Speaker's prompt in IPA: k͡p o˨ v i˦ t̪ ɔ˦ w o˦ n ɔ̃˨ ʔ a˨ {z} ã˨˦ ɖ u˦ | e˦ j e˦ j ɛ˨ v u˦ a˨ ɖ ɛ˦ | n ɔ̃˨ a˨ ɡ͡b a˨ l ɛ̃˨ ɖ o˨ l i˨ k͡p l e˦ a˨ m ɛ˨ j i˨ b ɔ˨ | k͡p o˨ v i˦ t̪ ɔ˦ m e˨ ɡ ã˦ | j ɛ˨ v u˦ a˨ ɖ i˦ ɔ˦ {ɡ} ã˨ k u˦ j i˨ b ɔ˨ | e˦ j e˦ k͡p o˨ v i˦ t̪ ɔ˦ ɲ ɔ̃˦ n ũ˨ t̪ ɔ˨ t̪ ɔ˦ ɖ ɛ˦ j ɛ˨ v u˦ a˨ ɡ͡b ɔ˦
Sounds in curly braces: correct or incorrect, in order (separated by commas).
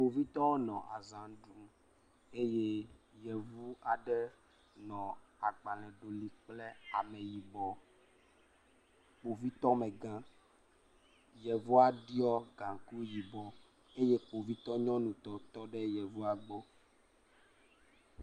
correct, correct